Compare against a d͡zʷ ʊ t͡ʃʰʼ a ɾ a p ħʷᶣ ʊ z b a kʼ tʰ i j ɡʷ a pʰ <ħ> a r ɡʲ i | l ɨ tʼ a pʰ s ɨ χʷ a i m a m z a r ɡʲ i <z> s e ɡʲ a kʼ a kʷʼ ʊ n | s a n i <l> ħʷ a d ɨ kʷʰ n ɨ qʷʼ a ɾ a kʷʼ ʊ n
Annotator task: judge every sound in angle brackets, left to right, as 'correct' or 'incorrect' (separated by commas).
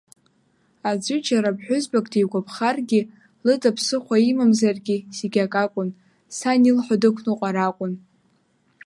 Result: incorrect, incorrect, correct